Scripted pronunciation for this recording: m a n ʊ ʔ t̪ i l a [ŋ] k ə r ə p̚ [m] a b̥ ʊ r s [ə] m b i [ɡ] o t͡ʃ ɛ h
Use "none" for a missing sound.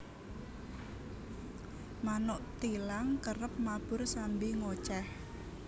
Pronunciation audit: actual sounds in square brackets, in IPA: ŋ, m, a, ŋ

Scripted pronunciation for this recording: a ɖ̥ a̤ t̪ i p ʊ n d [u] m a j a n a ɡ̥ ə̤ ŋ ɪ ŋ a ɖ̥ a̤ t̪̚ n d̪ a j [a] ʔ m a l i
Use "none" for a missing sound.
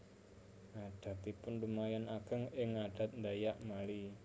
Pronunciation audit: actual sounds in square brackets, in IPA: u, a

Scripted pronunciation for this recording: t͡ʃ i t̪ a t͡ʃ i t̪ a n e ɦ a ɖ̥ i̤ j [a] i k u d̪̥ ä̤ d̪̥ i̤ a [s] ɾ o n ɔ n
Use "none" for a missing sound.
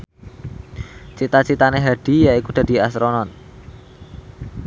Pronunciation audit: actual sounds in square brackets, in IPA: a, s

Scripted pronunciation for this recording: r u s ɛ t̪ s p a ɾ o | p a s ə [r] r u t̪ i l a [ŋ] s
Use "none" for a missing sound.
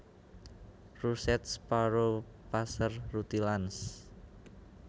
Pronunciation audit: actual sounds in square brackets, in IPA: r, n

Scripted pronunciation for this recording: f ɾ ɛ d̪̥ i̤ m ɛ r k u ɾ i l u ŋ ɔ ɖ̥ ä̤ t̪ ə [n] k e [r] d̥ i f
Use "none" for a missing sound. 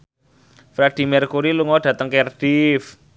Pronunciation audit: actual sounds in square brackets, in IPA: ŋ, r

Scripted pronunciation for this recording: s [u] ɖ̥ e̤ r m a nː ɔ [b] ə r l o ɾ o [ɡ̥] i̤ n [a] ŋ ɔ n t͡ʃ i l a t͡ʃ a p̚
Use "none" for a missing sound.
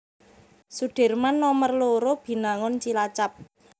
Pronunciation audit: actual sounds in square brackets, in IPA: u, m, b̥, a

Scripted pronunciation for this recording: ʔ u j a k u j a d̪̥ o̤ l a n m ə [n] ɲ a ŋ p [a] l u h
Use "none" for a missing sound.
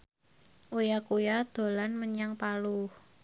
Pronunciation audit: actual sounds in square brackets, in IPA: none, a

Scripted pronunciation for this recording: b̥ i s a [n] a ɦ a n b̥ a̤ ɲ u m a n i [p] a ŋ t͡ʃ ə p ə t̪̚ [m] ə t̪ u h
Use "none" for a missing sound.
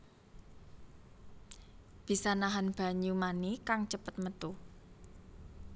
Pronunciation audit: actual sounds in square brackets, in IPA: n, k, m

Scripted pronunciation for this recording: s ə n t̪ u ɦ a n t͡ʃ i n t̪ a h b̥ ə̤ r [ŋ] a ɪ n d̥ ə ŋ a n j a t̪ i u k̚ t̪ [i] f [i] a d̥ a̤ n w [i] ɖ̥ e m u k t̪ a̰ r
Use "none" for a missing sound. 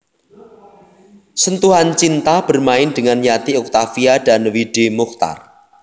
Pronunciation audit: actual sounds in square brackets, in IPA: m, a, i, i

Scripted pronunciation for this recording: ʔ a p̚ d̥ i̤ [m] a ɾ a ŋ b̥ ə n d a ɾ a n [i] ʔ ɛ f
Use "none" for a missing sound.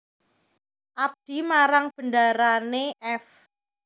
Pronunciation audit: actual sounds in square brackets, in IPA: m, e

